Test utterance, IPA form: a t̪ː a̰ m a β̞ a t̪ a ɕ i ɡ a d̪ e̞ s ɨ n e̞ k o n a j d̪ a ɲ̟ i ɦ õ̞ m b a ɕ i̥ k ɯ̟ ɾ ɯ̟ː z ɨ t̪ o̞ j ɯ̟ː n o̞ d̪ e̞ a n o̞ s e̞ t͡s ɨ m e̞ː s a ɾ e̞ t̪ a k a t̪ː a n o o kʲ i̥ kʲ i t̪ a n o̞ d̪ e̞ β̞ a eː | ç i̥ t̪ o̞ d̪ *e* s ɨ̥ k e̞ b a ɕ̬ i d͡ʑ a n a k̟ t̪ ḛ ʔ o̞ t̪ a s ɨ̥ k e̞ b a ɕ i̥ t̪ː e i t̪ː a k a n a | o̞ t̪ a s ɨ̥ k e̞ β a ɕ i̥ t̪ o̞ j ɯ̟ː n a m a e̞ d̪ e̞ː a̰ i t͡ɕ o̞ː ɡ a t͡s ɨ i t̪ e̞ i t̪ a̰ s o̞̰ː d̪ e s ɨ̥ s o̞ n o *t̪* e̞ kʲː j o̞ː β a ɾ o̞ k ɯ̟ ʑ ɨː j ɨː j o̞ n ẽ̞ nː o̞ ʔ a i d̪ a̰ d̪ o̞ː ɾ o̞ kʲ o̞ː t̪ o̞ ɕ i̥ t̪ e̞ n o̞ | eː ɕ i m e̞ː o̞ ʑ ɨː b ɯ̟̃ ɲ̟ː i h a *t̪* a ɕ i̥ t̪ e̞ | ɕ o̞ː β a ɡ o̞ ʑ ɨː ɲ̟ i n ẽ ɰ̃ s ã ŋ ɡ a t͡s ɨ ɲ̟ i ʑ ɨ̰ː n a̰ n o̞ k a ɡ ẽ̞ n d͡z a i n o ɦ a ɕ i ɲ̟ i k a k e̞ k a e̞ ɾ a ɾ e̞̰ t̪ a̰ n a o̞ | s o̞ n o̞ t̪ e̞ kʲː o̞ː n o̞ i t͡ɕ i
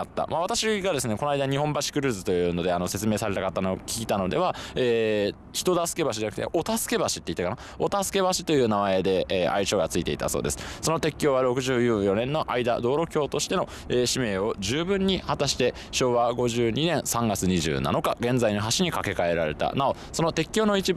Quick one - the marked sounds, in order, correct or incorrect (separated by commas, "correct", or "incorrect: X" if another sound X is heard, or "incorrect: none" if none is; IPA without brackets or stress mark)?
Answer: incorrect: a, correct, correct